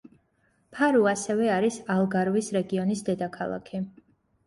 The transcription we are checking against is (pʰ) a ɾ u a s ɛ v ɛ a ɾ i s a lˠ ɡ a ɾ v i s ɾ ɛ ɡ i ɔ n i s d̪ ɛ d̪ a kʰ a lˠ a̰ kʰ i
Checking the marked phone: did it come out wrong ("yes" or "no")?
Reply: no